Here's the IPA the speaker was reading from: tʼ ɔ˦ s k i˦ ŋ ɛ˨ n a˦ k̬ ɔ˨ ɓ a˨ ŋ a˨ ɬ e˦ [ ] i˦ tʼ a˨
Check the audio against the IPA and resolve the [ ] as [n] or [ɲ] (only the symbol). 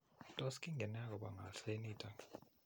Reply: n